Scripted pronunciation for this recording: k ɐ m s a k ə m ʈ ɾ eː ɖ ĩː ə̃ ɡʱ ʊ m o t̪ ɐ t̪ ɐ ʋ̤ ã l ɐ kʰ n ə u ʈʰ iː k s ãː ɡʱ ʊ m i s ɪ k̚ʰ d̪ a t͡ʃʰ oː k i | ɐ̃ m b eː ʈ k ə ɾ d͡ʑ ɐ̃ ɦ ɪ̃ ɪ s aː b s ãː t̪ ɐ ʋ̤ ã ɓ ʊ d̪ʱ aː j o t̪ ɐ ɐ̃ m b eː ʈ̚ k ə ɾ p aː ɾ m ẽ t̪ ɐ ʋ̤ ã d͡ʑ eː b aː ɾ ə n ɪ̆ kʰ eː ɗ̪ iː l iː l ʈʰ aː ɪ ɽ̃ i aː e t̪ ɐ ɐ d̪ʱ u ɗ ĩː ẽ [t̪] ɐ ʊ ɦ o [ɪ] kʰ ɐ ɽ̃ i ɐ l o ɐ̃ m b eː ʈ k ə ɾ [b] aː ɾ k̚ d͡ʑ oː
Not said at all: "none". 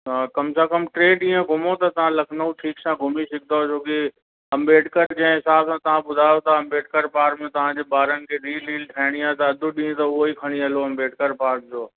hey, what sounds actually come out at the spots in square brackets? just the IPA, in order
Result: t̪, i, p

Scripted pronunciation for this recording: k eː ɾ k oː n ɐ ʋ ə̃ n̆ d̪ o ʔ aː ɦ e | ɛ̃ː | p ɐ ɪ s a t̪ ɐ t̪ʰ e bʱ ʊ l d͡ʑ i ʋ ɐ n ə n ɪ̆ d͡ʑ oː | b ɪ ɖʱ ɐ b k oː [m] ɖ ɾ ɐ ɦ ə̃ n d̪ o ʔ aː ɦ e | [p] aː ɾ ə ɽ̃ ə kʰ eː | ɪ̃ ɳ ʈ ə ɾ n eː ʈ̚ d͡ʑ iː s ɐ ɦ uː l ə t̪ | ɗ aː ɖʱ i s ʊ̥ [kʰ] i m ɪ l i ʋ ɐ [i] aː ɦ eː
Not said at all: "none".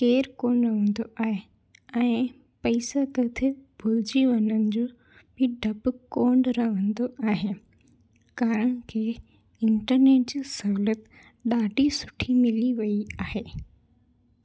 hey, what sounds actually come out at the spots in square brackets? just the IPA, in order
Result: ɳ, k, ʈʰ, i

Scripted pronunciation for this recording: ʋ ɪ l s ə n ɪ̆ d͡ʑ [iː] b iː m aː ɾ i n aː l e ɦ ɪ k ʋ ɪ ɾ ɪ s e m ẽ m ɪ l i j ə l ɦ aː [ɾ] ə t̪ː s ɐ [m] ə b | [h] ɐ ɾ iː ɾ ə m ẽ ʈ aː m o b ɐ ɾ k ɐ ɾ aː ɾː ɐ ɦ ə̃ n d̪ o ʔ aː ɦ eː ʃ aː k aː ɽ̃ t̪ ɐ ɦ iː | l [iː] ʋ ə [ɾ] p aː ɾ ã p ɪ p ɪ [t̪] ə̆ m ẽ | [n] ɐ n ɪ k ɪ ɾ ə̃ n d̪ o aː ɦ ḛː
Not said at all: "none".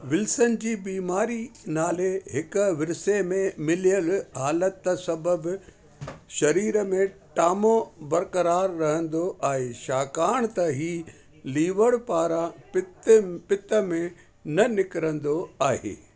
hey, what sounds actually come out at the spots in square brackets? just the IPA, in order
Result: iː, l, b, ʃ, iː, ɽ, t̪, n

